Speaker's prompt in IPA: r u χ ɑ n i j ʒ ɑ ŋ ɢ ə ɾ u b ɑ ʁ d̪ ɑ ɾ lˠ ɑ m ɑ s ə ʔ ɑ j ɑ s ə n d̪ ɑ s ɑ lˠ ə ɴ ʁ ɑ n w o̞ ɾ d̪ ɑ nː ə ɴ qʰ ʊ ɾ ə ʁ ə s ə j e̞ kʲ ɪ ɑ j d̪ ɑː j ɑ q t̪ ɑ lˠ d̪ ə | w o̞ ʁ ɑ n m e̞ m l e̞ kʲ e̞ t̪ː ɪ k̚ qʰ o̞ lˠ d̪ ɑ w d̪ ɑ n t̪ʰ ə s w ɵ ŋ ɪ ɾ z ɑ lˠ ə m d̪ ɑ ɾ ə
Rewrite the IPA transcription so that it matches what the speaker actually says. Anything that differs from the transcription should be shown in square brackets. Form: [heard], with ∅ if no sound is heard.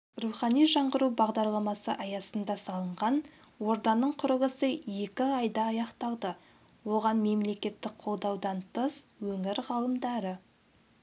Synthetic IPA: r u χ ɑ n i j ʒ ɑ [ɴ] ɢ ə ɾ u b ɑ ʁ d̪ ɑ ɾ lˠ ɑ m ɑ s ə ʔ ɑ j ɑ s ə n d̪ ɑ s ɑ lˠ ə ɴ ʁ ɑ n w o̞ ɾ d̪ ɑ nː ə ɴ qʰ ʊ ɾ ə ʁ ə s ə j e̞ kʲ ɪ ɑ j d̪ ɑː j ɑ q t̪ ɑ lˠ d̪ ə | w o̞ ʁ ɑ n m e̞ m l e̞ kʲ e̞ t̪ː ɪ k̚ qʰ o̞ lˠ d̪ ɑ w d̪ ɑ n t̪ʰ ə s w ɵ ŋ ɪ ɾ [ʁ] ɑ lˠ ə m d̪ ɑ ɾ ə